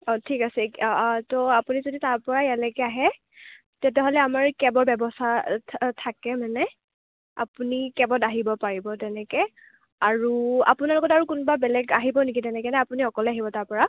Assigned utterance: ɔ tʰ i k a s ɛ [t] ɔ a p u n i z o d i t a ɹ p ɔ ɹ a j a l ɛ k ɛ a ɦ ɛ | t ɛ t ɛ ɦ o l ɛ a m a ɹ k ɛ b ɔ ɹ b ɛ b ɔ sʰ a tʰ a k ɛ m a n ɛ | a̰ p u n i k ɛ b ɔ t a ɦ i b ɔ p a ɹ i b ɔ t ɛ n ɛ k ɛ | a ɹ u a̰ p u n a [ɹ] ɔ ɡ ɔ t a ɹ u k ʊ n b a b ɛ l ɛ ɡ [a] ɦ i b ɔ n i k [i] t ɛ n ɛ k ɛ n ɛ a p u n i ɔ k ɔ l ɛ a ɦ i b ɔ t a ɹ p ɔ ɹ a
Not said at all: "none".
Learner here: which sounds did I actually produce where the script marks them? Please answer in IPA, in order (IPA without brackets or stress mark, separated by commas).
t, l, a, i